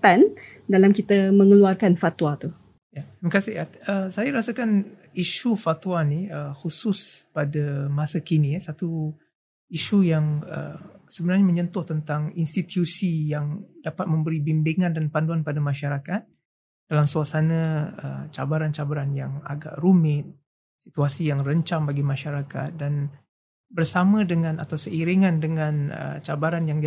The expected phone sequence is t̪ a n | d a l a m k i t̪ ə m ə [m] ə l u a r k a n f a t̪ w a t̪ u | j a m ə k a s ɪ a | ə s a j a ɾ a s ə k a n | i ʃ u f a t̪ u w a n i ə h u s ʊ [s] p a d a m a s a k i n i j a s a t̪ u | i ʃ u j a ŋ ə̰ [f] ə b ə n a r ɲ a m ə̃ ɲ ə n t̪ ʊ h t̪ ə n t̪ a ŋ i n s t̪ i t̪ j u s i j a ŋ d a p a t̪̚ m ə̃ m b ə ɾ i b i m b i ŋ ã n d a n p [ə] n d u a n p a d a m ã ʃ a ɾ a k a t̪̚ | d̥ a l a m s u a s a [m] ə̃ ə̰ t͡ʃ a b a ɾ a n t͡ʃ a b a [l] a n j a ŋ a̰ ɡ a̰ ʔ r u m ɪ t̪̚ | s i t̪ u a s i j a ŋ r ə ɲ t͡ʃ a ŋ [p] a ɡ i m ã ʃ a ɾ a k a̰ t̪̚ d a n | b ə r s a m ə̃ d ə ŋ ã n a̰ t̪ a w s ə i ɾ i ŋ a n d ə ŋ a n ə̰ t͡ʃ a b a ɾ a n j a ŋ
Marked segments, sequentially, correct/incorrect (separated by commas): incorrect, correct, incorrect, incorrect, incorrect, incorrect, incorrect